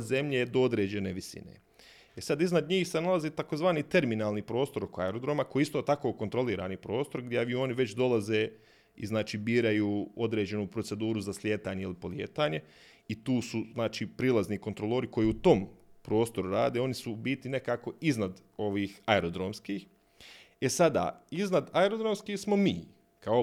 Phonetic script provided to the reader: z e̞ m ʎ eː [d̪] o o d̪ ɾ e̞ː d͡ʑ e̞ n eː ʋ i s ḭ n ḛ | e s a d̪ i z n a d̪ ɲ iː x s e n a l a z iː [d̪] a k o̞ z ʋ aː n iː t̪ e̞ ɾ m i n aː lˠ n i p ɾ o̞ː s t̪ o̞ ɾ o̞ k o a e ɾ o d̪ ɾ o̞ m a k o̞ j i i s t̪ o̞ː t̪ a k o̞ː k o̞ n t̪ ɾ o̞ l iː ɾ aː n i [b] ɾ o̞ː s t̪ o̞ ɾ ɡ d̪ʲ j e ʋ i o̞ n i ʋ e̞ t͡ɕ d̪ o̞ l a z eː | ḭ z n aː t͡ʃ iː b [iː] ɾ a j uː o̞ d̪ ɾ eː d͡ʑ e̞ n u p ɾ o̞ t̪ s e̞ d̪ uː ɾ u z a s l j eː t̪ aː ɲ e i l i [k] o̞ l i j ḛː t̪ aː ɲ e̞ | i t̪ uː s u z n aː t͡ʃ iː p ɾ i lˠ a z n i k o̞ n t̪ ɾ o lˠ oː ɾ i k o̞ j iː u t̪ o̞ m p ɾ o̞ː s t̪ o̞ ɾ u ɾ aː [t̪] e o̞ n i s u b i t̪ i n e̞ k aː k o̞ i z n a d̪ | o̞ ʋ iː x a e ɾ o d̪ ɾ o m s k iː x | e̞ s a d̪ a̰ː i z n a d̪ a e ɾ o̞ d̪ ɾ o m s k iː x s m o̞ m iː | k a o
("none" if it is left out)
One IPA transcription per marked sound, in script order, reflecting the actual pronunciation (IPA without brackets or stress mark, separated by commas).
d̪, t̪, p, iː, p, d̪